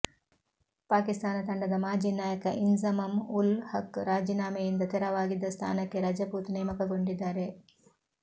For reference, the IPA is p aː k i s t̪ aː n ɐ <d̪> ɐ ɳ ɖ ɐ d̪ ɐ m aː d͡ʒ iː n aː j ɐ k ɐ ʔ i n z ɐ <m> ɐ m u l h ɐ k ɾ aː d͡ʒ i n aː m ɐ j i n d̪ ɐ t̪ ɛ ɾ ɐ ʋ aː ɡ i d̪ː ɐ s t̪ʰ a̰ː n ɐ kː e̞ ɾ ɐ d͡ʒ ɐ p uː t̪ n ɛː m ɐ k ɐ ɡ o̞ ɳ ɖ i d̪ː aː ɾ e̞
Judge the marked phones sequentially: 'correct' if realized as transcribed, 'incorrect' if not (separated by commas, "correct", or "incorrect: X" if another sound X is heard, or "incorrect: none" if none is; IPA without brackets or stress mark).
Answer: incorrect: t̪, correct